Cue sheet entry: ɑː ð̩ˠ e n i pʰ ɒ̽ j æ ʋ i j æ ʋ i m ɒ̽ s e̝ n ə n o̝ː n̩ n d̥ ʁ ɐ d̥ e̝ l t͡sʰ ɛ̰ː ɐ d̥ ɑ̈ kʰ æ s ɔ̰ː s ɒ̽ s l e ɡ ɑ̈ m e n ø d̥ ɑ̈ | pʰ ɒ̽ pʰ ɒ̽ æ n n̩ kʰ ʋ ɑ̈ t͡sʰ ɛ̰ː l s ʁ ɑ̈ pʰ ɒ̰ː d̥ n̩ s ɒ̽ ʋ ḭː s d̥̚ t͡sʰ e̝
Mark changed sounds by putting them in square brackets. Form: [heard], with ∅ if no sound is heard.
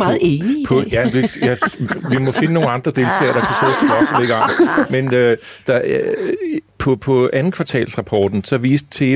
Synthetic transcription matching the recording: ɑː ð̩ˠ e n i pʰ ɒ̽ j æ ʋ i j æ ʋ i m ɒ̽ [f] e̝ n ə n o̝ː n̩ n d̥ ʁ ɐ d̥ e̝ l t͡sʰ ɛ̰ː ɐ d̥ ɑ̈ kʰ æ s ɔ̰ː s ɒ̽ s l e ɡ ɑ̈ m e n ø d̥ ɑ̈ | pʰ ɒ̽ pʰ ɒ̽ æ n n̩ kʰ ʋ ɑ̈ t͡sʰ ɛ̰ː l s ʁ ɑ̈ pʰ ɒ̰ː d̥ n̩ s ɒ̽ ʋ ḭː s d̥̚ t͡sʰ e̝